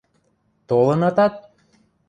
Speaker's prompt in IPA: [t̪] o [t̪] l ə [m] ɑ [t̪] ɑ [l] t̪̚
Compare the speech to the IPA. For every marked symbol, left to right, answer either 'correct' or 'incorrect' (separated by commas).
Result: correct, incorrect, incorrect, correct, incorrect